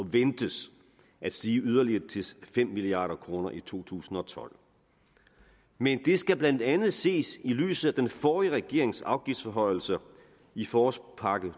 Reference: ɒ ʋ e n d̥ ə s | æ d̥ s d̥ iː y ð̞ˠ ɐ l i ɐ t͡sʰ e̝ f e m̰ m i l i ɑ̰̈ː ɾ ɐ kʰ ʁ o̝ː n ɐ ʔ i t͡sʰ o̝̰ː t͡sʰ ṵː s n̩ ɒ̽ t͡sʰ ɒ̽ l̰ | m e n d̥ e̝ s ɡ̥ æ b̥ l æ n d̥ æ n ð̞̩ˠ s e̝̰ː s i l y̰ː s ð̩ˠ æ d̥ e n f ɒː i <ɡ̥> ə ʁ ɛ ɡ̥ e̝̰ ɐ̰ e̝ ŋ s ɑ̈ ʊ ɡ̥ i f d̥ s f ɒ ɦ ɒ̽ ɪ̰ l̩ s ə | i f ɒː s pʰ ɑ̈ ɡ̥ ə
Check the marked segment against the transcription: incorrect: none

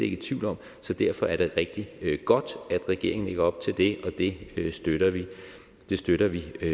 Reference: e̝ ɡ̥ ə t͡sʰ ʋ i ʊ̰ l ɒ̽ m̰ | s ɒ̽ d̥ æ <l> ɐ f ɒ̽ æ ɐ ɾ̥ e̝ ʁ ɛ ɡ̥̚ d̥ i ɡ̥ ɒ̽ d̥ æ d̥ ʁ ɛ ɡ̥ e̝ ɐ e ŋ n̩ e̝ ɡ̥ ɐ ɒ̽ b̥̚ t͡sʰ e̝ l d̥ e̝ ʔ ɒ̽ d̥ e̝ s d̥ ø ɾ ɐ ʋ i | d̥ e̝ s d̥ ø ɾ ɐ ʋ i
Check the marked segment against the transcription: incorrect: none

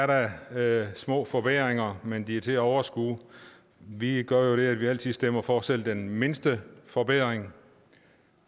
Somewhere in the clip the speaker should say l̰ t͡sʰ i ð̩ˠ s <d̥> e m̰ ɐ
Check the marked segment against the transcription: correct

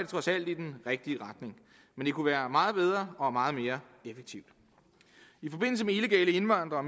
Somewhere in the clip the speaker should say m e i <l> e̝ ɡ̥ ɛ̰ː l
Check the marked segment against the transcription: correct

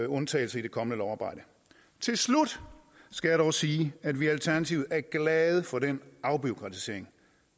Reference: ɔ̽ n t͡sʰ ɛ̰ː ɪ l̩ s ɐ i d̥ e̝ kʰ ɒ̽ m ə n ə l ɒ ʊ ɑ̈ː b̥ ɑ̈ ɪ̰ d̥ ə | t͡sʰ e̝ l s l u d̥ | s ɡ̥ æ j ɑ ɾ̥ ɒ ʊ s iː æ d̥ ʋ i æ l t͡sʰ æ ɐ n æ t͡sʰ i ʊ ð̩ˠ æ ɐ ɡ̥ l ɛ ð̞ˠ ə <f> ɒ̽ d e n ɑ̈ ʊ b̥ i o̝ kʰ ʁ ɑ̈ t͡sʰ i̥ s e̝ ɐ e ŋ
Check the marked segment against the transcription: correct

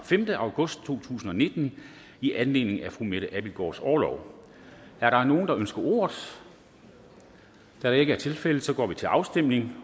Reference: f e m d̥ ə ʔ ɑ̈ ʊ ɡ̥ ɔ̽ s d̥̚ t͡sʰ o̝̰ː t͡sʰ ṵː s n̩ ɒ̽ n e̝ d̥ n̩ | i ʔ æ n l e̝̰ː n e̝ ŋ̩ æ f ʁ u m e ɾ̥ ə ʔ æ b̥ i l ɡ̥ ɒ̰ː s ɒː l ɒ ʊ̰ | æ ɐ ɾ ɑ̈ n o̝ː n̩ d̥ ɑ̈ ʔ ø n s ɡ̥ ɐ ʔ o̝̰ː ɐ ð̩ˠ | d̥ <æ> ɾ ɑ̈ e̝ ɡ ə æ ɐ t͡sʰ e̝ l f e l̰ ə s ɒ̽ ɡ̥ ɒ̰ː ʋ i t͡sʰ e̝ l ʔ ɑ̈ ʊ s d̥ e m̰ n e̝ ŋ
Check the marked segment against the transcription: correct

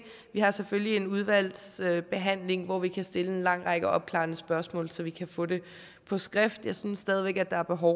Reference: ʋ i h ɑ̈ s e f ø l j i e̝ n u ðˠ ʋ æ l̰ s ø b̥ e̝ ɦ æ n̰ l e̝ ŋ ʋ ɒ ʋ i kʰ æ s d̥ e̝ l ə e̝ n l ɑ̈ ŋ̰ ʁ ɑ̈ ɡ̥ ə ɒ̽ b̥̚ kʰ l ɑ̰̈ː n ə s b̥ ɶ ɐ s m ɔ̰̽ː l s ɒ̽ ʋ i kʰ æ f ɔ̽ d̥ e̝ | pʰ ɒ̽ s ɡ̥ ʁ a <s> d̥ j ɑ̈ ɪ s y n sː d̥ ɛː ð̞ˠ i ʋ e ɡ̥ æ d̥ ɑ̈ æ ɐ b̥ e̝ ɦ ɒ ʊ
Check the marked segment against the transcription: incorrect: f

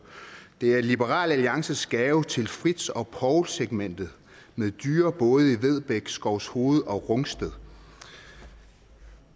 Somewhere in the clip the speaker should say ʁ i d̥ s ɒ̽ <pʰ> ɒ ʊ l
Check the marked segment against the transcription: correct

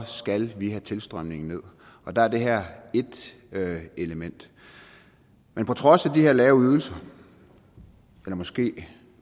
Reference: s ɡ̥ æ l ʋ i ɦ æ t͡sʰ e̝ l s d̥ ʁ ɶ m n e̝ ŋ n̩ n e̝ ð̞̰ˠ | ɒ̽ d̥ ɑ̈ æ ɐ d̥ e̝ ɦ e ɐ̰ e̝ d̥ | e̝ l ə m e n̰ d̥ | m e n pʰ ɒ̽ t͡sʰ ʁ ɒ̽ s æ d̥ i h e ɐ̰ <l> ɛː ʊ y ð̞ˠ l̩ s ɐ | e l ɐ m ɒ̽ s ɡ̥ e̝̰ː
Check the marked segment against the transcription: correct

